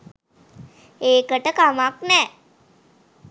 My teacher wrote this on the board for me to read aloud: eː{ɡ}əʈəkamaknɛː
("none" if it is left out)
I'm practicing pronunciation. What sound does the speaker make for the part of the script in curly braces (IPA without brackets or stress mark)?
k